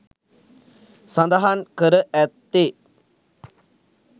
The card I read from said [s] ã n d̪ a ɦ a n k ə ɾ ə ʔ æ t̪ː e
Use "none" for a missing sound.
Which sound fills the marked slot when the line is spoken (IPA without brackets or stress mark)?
s